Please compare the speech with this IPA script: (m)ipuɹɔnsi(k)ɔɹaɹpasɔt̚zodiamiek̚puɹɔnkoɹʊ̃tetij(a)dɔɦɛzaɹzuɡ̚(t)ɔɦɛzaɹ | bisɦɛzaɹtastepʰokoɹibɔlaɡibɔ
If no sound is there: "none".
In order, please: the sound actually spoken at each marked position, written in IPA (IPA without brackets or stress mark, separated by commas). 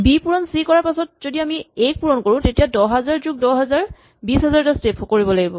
b, k, a, d